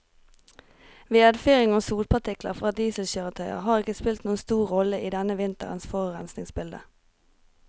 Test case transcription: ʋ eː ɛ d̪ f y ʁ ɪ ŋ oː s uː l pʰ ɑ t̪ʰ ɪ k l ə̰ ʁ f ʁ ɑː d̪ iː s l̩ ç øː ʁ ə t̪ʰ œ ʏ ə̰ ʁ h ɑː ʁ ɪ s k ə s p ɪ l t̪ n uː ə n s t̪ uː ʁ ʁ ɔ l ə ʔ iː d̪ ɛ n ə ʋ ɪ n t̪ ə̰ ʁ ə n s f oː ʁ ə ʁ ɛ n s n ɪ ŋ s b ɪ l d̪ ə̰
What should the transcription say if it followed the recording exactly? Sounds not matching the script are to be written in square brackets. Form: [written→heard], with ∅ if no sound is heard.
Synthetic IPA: ʋ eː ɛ d̪ f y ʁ ɪ ŋ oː s uː l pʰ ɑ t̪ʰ ɪ k l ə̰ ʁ f ʁ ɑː d̪ iː s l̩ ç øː ʁ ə t̪ʰ œ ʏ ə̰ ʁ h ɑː ʁ ɪ [s→∅] k ə s p ɪ l t̪ n uː ə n s t̪ uː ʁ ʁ ɔ l ə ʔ iː d̪ ɛ n ə ʋ ɪ n t̪ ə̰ ʁ ə n s f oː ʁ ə ʁ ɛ n s n ɪ ŋ s b ɪ l d̪ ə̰